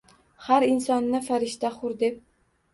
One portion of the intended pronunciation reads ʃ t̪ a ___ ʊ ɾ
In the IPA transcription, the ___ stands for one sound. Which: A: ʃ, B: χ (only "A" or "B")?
B